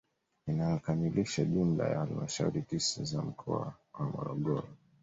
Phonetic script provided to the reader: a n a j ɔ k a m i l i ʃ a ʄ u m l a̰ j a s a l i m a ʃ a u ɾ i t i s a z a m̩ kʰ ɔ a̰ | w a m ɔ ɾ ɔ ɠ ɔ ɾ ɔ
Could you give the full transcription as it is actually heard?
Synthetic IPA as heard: i n a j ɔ k a m i l i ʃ a ʄ u m l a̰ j a h a l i m a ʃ a u ɾ i t i s a z a m̩ kʰ ɔ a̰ | w a m ɔ ɾ ɔ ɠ ɔ ɾ ɔ